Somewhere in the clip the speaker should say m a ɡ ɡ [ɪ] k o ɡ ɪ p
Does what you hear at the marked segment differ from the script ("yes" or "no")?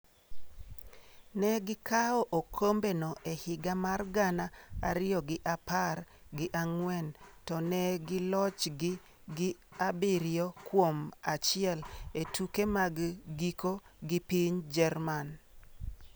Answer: yes